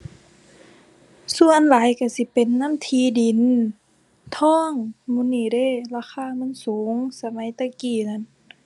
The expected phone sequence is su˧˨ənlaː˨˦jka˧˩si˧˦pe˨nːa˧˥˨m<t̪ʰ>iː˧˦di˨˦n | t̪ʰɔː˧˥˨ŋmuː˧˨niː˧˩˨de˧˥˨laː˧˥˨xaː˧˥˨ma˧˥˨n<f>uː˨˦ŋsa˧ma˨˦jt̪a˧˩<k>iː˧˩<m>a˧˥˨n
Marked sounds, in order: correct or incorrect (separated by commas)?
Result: correct, incorrect, correct, incorrect